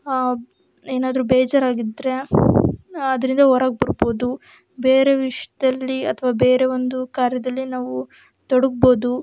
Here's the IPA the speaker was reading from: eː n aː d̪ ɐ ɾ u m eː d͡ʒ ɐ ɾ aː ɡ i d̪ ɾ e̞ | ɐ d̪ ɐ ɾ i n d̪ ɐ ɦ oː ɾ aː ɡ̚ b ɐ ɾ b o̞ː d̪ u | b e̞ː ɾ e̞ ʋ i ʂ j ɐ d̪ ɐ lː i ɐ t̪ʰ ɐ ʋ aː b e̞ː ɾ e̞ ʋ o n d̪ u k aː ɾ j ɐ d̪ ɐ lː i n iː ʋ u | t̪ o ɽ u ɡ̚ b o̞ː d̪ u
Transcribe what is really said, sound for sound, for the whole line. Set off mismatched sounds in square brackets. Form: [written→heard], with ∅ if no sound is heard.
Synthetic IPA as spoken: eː n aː d̪ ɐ ɾ u [m→b] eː d͡ʒ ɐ ɾ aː ɡ i d̪ ɾ e̞ | ɐ d̪ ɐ ɾ i n d̪ ɐ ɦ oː ɾ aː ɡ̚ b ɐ ɾ b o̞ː d̪ u | b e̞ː ɾ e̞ ʋ i ʂ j ɐ d̪ ɐ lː i ɐ t̪ʰ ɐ ʋ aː b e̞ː ɾ e̞ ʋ o n d̪ u k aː ɾ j ɐ d̪ ɐ lː i n [iː→aː] ʋ u | t̪ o ɽ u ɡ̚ b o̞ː d̪ u